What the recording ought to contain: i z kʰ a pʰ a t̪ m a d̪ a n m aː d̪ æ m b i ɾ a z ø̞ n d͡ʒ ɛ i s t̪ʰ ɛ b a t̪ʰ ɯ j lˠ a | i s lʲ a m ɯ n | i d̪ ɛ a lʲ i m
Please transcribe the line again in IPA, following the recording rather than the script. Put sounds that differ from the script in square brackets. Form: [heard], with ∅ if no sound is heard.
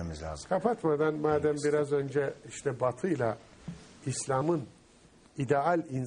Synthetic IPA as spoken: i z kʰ a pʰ a t̪ m a d̪ a n m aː d̪ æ m b i ɾ a z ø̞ n d͡ʒ ɛ i [ʃ] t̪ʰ ɛ b a t̪ʰ ɯ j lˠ a | i s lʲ a m ɯ n | i d̪ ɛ a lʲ i [n]